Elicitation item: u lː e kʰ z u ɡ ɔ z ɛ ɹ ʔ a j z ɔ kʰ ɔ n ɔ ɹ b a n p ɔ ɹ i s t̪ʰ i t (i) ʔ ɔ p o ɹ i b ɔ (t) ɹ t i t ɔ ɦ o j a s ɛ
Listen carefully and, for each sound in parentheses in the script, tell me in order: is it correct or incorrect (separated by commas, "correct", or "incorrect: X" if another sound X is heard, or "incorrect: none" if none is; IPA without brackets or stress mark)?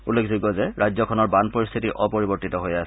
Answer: correct, incorrect: none